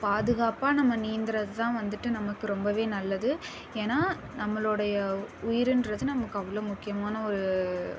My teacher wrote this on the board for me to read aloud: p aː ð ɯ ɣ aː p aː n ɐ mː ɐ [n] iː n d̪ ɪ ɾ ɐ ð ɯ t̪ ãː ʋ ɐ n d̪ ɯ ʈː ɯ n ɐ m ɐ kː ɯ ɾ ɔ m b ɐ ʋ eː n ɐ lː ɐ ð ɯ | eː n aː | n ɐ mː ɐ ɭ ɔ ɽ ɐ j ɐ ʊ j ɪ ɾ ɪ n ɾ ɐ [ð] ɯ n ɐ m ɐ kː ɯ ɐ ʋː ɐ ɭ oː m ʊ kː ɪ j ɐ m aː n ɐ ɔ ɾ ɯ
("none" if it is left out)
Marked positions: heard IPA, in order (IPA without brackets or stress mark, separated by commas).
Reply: n, ð